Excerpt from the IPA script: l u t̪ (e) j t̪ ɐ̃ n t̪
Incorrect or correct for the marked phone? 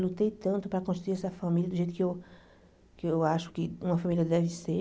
correct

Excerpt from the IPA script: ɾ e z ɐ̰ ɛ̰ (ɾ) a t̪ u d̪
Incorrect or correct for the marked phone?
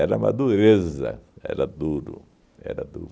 correct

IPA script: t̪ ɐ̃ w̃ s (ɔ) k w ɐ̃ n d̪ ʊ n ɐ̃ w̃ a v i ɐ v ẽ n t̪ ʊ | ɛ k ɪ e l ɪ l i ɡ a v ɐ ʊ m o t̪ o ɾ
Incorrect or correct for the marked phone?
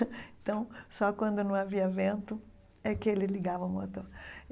correct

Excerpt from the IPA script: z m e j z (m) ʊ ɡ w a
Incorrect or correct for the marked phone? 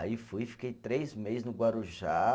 incorrect: n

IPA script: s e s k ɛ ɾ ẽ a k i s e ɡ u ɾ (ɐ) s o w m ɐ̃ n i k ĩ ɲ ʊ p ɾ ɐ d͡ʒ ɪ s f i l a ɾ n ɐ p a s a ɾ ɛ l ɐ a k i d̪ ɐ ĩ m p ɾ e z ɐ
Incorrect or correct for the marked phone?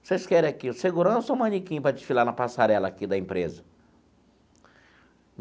incorrect: ɐ̃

